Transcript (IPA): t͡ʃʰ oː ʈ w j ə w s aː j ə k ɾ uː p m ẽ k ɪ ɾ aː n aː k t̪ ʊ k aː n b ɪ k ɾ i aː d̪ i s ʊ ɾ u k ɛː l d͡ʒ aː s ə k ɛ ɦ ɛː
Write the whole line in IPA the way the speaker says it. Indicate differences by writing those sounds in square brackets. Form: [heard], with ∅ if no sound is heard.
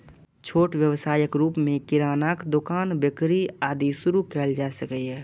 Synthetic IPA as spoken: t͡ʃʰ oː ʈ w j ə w s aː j ə k ɾ uː p m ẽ k ɪ ɾ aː n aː k [d̪] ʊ k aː n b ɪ k ɾ i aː d̪ i s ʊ ɾ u k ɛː l d͡ʒ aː s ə k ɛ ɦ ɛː